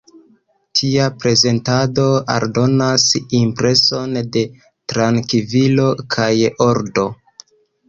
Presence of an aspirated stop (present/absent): present